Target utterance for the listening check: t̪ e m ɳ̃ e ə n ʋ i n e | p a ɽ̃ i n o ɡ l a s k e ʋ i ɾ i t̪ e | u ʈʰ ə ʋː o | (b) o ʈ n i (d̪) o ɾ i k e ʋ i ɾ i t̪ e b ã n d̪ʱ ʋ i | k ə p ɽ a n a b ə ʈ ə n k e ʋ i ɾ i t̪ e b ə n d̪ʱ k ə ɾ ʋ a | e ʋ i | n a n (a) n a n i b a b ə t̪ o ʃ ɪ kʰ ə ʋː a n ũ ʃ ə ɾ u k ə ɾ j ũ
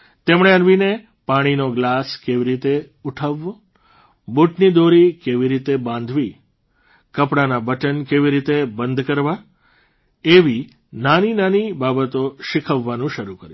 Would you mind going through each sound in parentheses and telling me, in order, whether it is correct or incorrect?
correct, correct, incorrect: i

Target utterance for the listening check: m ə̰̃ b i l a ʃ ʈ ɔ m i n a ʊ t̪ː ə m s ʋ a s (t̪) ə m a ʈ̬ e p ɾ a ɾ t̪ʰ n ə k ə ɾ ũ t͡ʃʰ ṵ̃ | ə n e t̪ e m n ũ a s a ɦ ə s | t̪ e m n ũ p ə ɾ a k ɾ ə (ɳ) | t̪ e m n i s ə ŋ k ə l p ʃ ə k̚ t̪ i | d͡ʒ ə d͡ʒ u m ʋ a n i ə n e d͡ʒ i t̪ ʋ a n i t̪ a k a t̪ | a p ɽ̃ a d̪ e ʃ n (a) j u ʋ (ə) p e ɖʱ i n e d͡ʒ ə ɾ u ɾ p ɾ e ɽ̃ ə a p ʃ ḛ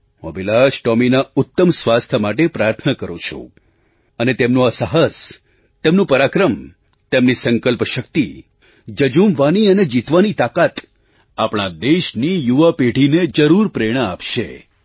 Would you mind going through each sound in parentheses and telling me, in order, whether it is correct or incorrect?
incorrect: t̪ʰ, incorrect: m, incorrect: i, incorrect: a

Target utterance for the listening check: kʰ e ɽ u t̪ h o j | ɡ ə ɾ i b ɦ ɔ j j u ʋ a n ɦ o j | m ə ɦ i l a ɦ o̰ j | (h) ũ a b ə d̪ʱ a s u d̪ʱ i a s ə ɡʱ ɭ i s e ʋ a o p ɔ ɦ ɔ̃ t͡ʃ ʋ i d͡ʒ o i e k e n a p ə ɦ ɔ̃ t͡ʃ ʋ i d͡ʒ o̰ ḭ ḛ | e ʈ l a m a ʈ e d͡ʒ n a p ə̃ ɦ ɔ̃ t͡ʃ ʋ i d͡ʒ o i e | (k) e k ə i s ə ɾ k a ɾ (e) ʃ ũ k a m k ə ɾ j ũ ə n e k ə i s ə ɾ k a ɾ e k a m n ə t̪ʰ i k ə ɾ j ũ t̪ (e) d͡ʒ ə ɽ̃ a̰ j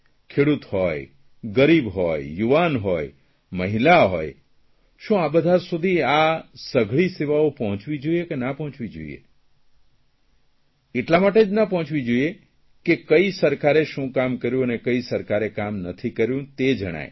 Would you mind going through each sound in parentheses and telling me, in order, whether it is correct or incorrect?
incorrect: ʃ, correct, correct, correct

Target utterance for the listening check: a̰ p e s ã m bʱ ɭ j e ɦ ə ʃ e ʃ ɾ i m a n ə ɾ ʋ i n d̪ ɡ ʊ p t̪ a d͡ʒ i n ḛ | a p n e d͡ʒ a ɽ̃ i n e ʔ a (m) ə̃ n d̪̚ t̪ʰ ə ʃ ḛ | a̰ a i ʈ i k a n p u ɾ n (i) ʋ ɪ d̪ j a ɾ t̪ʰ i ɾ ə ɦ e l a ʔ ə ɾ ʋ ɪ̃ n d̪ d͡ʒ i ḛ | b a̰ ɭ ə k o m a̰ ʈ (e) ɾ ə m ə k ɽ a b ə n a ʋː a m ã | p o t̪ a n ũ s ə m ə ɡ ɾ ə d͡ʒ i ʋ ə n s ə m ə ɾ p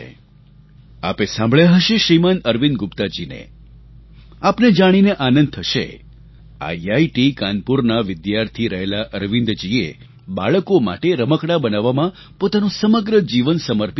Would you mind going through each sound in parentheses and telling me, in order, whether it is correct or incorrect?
incorrect: n, incorrect: a, correct

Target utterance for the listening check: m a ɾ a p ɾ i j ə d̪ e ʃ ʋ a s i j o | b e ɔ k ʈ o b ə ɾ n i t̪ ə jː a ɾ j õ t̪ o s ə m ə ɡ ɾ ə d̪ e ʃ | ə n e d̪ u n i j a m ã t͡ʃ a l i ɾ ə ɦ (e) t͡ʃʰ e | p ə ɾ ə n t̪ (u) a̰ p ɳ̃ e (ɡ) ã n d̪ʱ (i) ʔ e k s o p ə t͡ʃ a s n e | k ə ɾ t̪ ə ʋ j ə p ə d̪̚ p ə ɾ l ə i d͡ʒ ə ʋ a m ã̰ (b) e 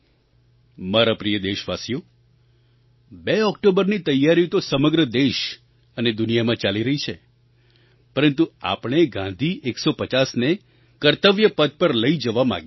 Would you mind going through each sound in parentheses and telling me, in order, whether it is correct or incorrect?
incorrect: i, correct, correct, correct, incorrect: ɡ

